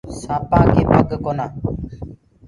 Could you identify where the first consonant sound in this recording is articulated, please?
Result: alveolar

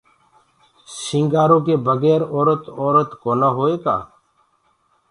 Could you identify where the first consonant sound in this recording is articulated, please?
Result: alveolar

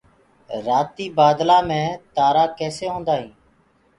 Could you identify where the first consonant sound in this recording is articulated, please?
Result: alveolar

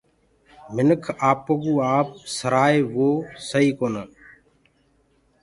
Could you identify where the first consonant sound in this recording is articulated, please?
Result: labial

